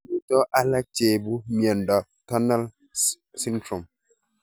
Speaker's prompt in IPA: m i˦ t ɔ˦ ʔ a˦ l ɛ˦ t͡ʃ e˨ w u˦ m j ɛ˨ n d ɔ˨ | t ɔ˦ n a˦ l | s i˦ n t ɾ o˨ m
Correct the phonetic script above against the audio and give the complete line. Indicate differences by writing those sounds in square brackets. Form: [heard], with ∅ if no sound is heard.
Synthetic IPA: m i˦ t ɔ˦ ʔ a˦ l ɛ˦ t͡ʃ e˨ [b] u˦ m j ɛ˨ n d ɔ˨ | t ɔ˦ n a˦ l | s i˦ n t ɾ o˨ m